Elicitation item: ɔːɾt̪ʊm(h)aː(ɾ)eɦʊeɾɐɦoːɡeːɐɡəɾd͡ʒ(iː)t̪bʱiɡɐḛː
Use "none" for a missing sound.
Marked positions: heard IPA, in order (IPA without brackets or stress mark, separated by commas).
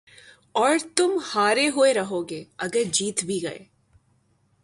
h, ɾ, iː